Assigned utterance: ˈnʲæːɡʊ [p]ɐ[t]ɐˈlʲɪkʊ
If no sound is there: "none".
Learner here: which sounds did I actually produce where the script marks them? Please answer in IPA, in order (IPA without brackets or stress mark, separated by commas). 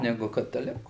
k, t